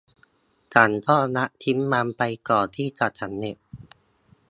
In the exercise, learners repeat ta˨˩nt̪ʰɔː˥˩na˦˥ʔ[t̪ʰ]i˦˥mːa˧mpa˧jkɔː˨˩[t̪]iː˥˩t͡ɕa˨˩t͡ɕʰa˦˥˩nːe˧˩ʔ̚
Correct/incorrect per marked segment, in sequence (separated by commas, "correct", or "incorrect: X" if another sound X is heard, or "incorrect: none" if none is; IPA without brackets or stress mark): correct, incorrect: t̪ʰ